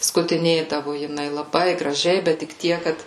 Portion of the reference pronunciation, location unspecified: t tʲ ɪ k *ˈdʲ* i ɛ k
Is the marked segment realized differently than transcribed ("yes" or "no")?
yes